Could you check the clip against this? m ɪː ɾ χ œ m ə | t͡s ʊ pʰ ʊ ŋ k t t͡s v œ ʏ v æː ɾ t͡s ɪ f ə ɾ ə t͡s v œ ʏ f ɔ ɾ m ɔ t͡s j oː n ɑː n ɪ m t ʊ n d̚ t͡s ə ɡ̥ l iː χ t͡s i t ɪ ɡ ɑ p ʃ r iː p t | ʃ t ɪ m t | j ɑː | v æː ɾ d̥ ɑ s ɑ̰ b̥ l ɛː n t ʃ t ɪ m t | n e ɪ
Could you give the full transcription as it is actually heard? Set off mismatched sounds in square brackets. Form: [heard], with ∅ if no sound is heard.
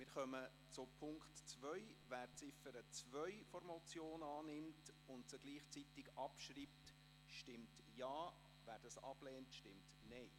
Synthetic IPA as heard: m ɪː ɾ χ œ m ə | t͡s ʊ pʰ ʊ ŋ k t t͡s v œ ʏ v æː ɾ t͡s ɪ f ə ɾ ə t͡s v œ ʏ f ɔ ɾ m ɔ t͡s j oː n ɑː n ɪ m t ʊ n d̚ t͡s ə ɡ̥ l iː χ t͡s i t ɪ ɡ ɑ p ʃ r iː p t | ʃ t ɪ m t | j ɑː | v æː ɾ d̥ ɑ s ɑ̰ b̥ l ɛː n t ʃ t ɪ m t | n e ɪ